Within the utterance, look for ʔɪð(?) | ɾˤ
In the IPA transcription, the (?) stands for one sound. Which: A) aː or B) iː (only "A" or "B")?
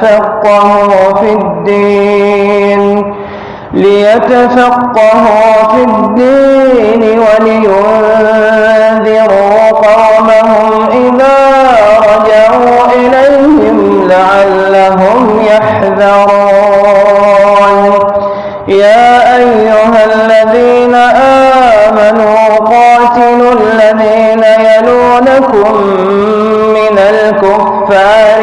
A